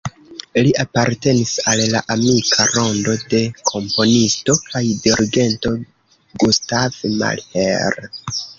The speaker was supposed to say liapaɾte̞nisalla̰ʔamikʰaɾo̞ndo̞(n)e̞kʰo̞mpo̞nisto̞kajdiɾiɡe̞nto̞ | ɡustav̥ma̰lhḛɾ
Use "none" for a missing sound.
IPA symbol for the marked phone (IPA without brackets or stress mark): d